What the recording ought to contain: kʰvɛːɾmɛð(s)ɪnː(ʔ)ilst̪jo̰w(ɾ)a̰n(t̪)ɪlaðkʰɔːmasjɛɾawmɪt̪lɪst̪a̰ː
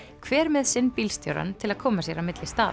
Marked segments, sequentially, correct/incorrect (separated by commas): correct, incorrect, correct, incorrect